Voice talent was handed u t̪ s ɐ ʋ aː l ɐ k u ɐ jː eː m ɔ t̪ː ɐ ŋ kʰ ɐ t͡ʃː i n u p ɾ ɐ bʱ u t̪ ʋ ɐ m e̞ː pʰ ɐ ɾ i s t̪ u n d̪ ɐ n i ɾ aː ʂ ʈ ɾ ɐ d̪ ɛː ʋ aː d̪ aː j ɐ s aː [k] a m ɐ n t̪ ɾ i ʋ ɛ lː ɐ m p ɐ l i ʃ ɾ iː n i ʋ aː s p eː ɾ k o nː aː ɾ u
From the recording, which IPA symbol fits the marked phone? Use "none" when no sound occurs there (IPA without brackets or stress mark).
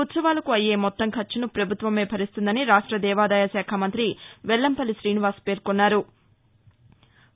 kʰ